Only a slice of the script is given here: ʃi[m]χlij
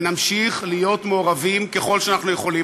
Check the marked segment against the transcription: incorrect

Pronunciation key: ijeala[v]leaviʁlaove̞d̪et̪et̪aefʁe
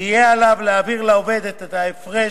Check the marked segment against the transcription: correct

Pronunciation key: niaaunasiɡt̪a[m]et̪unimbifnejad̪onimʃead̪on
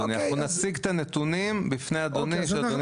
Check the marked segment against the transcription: incorrect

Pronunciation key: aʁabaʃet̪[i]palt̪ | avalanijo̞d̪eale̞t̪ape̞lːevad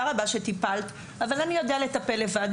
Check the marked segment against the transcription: correct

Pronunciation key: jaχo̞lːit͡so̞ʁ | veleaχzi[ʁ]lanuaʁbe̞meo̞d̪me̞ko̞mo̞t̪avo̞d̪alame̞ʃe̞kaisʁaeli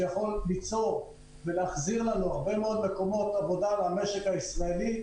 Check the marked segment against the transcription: correct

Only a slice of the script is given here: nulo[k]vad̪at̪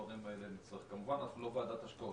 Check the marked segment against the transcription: incorrect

